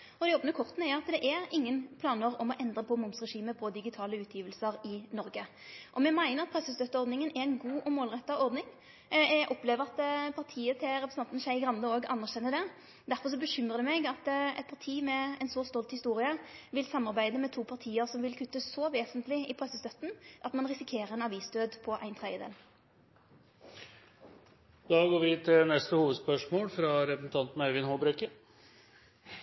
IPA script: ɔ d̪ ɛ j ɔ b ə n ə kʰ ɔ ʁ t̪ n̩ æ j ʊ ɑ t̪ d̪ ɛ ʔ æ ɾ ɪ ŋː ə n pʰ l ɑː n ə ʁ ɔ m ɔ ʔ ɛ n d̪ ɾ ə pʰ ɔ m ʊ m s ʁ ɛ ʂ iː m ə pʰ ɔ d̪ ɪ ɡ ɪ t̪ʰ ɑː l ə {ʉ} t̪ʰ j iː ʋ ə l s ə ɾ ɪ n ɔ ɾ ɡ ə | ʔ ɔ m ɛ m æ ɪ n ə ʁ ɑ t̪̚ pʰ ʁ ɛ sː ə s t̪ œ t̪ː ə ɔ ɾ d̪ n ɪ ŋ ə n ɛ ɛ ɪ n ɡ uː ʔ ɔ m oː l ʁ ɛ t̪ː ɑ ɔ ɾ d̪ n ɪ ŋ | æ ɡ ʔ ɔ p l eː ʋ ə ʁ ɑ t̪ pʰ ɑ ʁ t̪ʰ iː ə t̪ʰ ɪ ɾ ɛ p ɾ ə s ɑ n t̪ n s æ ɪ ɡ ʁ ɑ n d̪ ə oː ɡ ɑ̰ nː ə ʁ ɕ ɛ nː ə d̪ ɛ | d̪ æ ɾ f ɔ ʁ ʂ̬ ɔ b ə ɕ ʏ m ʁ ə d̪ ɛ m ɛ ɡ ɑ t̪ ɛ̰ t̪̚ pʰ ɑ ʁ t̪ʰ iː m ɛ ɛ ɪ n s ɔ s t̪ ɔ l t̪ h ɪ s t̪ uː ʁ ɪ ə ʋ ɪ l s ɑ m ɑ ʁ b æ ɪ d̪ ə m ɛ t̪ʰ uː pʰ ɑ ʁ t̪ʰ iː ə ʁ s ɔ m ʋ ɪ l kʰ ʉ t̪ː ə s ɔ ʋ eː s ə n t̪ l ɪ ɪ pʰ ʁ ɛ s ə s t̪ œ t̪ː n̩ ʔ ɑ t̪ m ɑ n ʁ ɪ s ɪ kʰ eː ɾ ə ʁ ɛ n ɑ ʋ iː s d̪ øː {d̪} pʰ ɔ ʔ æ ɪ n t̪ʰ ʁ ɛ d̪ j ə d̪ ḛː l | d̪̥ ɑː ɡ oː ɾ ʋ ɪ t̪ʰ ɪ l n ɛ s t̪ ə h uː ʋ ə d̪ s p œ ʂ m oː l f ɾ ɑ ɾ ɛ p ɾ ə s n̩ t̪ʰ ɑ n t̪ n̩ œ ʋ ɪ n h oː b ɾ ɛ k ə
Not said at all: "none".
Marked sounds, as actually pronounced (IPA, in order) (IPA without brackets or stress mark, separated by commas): ʉː, d̪